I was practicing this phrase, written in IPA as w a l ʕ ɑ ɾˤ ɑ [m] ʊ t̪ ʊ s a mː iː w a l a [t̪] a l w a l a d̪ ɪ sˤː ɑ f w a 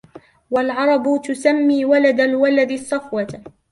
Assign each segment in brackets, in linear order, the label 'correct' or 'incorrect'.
incorrect, incorrect

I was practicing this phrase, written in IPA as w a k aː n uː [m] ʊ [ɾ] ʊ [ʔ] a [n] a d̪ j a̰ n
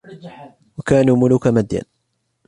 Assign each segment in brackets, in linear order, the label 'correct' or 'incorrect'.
correct, incorrect, incorrect, incorrect

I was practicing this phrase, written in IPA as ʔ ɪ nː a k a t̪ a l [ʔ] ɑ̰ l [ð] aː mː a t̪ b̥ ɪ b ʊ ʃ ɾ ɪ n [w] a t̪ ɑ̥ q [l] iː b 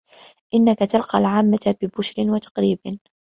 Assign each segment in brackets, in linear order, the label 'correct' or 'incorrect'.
incorrect, incorrect, correct, incorrect

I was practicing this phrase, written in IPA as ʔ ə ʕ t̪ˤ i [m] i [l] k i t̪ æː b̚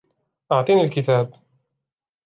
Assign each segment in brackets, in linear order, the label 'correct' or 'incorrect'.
incorrect, correct

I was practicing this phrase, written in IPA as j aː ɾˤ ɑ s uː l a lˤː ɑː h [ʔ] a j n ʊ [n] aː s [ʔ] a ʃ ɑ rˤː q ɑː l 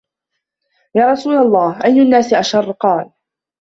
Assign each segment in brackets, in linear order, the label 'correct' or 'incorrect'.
correct, incorrect, correct

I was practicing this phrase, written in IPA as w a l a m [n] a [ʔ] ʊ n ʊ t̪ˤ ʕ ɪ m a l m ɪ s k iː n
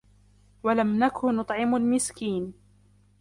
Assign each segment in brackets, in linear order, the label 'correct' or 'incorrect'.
correct, incorrect

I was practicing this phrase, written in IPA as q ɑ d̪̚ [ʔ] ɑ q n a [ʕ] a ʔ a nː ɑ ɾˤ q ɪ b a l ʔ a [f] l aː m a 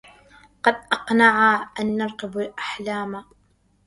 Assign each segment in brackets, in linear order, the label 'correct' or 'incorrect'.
correct, correct, incorrect

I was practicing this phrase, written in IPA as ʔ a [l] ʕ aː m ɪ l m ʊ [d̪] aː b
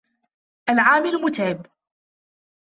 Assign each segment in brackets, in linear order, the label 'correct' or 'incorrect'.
correct, incorrect

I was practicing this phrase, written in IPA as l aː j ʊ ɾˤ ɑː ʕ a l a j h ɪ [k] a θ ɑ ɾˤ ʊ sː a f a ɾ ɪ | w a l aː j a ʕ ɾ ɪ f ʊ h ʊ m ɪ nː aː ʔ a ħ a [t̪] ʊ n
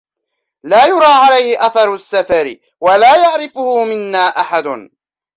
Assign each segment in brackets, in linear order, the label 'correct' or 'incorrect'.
incorrect, incorrect

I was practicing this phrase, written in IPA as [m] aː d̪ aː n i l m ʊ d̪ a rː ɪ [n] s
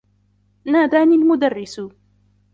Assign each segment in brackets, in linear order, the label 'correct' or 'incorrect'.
incorrect, incorrect

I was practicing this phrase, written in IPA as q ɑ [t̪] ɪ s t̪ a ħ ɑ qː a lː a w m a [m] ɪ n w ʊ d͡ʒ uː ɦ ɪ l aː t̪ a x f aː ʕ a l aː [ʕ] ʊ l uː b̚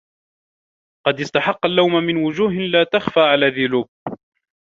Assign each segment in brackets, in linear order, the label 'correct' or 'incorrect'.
incorrect, correct, incorrect

